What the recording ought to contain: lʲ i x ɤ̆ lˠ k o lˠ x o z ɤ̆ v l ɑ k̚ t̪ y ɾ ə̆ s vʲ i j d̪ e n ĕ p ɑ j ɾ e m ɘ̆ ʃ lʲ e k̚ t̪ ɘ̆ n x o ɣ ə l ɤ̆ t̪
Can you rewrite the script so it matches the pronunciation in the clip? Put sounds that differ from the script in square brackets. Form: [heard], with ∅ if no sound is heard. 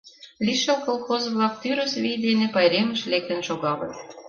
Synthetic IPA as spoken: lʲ i [ʃ] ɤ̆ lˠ k o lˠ x o z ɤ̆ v l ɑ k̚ t̪ y ɾ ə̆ s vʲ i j d̪ e n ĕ p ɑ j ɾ e m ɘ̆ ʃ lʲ e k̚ t̪ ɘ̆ n [ʃ] o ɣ [ɑ] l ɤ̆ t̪